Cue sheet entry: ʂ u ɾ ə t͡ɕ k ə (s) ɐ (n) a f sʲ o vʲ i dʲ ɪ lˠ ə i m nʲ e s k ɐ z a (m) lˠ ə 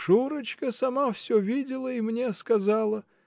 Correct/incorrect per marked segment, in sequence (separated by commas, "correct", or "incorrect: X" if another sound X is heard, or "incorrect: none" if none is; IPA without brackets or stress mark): correct, incorrect: m, incorrect: none